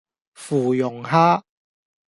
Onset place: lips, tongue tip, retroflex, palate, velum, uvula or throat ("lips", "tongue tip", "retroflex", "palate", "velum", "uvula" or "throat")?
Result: lips